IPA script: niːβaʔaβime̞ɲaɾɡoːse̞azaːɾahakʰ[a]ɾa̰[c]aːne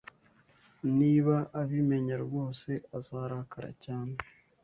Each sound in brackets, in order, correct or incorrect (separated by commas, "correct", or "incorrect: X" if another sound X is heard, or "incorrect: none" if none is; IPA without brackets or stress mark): correct, correct